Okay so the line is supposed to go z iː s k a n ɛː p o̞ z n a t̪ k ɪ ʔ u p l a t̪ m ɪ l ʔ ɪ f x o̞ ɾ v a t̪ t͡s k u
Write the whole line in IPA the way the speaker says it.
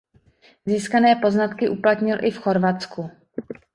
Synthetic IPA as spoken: z iː s k a n ɛː p o̞ z n a t̪ k ɪ ʔ u p l a t̪ ɲ ɪ l ʔ ɪ f x o̞ ɾ v a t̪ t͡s k u